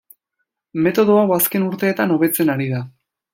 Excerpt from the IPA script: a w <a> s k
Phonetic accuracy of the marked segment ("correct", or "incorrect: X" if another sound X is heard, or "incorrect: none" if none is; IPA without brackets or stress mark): correct